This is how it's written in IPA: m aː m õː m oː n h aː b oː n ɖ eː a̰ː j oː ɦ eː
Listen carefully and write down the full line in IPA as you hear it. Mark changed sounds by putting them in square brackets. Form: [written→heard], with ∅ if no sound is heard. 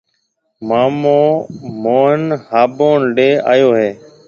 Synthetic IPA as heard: m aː m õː m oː n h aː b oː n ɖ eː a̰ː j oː ɦ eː